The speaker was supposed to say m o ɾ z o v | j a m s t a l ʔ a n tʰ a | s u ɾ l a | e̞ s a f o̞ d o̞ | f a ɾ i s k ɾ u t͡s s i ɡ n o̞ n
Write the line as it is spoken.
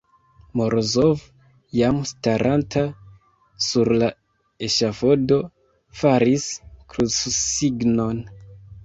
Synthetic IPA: m o ɾ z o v | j a m s t a ɾ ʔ a n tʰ a | s u ɾ l a | e̞ ʃ a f o̞ d o̞ | f a ɾ i s k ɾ u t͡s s i ɡ n o̞ n